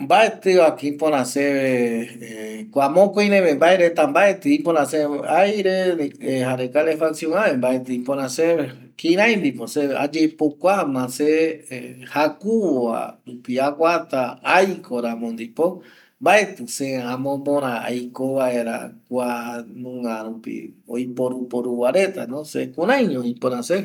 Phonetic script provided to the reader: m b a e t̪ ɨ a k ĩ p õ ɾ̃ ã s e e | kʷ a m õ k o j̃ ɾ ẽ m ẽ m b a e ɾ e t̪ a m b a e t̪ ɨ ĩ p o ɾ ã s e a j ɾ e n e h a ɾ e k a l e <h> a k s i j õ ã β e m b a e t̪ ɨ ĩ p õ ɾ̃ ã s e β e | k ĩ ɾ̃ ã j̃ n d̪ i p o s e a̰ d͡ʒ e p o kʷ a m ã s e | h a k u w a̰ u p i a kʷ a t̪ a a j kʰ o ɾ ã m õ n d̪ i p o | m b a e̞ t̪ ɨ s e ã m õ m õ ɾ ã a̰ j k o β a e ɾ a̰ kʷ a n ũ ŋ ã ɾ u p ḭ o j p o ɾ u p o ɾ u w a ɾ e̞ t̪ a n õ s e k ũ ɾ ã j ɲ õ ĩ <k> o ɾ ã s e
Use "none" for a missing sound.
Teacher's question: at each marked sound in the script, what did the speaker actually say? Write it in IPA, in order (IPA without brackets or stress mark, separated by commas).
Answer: f, p